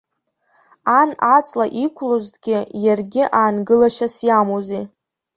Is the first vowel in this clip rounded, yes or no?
no